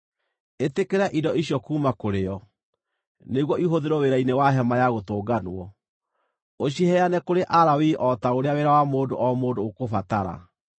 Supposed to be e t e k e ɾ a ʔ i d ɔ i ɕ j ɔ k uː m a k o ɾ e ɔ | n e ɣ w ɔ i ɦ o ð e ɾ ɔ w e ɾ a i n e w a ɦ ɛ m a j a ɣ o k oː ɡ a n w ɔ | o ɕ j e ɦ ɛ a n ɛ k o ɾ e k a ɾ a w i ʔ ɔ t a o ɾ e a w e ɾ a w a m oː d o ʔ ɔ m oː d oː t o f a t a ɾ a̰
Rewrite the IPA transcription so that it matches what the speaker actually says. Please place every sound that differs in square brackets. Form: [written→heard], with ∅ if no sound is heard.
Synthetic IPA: e t e k e ɾ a ʔ i d ɔ i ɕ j ɔ k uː m a k o ɾ e ɔ | n e ɣ w ɔ i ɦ o ð e ɾ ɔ w e ɾ a i n e w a ɦ ɛ m a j a ɣ o [k→t] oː ɡ a n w ɔ | o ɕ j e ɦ ɛ a n ɛ k o ɾ e [k→ʔ] a ɾ a w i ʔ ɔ t a o ɾ e a w e ɾ a w a m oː d o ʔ ɔ m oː d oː [t→k] o f a t a ɾ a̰